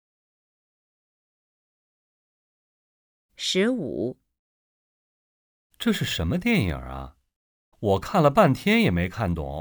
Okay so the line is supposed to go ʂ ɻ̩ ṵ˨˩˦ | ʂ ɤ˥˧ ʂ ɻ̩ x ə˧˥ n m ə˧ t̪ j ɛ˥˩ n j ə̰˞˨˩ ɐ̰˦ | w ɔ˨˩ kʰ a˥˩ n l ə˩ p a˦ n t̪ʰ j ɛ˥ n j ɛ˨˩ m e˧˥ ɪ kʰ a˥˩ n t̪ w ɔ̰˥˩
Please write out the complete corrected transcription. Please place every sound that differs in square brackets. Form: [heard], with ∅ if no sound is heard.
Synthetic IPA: ʂ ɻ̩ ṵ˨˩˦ | [ʈ͡ʂ] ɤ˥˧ ʂ ɻ̩ [ʂ] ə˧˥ n m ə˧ t̪ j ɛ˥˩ n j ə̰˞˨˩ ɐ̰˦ | w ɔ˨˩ kʰ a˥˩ n l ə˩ p [a˥˩] n t̪ʰ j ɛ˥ n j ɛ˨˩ m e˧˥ ɪ kʰ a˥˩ n t̪ w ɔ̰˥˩